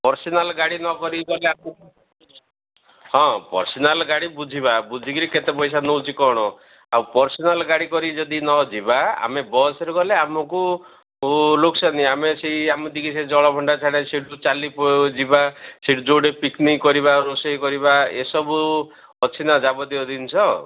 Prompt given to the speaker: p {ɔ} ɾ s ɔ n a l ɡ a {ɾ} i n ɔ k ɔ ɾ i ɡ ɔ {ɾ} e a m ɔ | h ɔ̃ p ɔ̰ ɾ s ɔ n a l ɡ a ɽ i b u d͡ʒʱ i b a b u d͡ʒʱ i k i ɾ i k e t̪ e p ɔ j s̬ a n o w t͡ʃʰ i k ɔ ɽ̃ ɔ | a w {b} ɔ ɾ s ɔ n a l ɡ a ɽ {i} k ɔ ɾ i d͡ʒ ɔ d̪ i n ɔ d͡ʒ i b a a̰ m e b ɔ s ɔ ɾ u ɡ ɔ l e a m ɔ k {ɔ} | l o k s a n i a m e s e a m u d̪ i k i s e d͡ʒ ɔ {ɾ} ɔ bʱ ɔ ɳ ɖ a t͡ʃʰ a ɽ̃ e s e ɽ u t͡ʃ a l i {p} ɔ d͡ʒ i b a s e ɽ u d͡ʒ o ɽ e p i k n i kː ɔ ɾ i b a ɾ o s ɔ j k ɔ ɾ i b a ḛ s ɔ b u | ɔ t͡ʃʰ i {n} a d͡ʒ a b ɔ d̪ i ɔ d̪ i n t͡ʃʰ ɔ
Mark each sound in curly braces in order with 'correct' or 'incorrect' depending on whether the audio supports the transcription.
correct, incorrect, incorrect, incorrect, correct, incorrect, incorrect, correct, correct

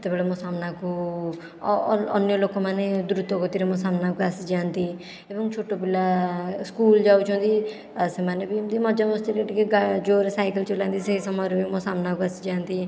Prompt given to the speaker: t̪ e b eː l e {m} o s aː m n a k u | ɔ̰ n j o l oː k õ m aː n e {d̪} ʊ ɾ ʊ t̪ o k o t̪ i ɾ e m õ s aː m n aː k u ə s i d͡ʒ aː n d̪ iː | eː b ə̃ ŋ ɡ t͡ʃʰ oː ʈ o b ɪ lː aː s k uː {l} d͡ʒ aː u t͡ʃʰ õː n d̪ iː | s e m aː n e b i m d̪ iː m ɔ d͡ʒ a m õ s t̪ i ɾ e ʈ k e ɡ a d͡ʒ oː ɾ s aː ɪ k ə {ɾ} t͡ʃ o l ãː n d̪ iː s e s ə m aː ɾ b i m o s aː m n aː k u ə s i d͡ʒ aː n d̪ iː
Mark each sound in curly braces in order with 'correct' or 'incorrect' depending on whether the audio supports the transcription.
correct, correct, correct, incorrect

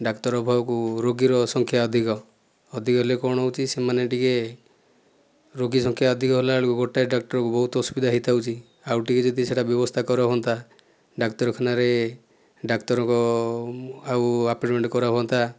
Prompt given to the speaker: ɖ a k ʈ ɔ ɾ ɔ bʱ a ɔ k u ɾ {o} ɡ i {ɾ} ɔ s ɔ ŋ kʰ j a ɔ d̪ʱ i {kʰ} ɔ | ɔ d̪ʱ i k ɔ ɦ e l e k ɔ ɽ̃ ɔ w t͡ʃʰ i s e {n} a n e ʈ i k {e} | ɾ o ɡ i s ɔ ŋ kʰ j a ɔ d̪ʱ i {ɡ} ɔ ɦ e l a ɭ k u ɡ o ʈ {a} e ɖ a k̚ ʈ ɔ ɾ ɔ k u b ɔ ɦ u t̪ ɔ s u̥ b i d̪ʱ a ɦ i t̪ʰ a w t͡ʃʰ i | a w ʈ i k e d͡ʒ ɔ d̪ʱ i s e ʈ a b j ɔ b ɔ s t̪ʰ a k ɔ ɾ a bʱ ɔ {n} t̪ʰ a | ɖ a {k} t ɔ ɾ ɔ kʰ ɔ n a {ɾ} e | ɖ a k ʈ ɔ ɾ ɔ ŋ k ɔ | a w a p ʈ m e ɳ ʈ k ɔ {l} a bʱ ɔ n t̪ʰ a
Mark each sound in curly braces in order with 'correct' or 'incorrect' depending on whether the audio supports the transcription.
correct, correct, incorrect, incorrect, correct, incorrect, correct, correct, correct, correct, incorrect

